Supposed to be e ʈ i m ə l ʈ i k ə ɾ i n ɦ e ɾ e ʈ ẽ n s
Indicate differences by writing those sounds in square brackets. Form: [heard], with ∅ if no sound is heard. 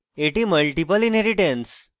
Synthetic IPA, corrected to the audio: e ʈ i m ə l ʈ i [p] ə [l] i n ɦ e ɾ [i] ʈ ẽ n s